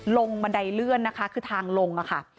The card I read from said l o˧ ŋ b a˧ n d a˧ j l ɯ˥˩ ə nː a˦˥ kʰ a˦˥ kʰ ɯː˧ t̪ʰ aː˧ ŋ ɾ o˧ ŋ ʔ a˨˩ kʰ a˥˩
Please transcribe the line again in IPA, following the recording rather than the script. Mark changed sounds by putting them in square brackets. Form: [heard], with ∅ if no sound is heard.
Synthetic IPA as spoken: l o˧ ŋ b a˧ n d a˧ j l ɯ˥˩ ə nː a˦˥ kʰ a˦˥ kʰ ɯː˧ t̪ʰ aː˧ ŋ [l] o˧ ŋ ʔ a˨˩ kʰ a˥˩